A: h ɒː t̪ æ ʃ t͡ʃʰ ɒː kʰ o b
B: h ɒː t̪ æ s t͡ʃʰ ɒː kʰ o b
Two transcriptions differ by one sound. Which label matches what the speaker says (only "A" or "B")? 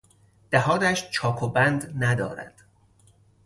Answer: A